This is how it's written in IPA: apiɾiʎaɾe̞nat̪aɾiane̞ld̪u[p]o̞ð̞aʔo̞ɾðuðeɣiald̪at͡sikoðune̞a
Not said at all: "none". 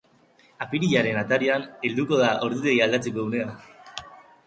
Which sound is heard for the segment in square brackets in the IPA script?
k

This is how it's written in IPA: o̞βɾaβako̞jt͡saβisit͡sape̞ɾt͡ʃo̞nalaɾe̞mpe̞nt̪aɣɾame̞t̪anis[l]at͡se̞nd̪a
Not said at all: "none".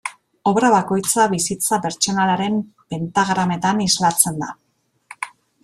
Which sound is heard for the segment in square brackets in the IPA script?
l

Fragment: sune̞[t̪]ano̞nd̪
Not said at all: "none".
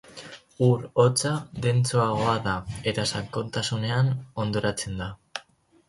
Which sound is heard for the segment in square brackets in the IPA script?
none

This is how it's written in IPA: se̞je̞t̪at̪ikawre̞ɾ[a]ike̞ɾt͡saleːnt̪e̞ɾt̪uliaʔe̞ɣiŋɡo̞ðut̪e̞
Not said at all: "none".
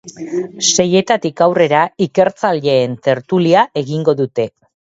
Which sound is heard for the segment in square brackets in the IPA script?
a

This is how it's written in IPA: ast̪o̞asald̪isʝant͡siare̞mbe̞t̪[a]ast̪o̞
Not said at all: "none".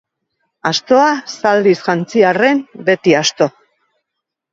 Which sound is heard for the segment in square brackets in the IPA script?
i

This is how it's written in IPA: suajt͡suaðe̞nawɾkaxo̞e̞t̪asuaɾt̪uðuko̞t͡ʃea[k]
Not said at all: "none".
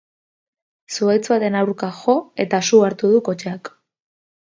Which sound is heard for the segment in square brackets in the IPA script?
k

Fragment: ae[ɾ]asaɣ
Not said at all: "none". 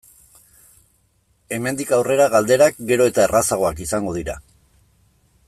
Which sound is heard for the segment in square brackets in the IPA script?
r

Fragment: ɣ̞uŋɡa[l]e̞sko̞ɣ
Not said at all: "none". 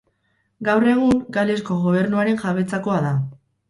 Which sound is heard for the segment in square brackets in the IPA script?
l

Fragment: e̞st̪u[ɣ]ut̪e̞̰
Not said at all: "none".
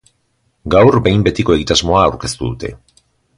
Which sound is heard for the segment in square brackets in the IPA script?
ð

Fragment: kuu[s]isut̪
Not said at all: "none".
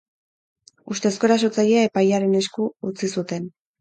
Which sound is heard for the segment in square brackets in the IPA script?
t͡s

